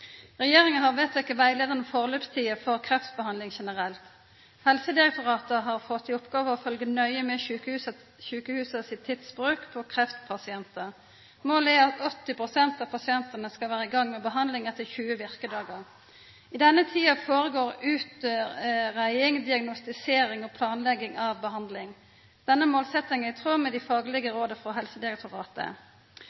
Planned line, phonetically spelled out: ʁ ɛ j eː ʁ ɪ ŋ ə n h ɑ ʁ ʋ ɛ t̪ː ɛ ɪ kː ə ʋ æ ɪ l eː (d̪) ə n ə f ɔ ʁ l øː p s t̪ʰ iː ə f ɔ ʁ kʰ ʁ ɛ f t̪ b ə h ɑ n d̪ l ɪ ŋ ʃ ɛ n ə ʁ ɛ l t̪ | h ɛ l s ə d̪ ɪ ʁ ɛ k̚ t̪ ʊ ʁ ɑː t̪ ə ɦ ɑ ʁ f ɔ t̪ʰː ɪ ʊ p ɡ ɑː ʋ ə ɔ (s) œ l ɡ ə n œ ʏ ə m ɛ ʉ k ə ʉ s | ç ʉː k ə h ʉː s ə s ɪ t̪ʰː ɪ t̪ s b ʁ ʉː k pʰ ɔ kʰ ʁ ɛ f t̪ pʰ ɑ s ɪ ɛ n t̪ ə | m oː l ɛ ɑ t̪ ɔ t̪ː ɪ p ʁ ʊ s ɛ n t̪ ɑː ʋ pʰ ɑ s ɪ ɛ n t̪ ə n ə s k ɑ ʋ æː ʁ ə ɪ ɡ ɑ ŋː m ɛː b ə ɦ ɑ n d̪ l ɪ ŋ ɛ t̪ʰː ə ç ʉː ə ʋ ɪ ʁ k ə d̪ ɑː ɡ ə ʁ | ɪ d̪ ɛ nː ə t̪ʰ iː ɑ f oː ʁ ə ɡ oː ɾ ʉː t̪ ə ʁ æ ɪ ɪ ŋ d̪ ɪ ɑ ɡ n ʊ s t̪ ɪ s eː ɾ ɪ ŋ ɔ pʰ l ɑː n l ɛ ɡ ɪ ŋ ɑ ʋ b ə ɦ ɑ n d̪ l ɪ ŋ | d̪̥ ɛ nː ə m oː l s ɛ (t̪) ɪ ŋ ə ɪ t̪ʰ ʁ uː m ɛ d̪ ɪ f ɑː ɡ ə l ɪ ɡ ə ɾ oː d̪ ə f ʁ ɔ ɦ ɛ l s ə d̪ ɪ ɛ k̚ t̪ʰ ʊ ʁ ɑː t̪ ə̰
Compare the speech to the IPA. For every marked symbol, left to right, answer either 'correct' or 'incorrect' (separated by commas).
correct, incorrect, correct